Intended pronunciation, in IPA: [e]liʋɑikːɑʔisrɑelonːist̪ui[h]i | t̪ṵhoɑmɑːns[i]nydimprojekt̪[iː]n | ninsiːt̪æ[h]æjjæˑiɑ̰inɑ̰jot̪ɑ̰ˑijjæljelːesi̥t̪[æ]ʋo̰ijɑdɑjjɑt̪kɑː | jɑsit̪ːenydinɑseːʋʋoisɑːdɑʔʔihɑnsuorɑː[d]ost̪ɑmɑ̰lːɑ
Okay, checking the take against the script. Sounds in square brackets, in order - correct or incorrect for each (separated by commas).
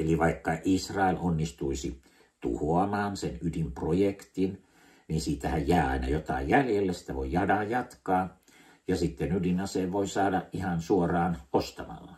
correct, incorrect, incorrect, incorrect, correct, correct, incorrect